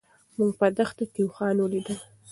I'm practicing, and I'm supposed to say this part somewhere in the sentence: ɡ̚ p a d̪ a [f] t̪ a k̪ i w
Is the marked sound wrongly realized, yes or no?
yes